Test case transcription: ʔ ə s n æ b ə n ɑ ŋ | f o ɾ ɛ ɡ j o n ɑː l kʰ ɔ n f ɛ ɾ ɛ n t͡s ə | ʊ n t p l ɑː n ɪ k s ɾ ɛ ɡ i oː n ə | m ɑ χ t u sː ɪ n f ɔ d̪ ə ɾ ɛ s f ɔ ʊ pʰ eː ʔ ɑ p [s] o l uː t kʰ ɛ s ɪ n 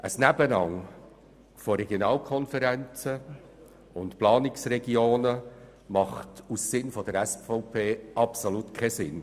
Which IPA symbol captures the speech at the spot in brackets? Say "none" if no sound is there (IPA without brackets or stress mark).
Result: s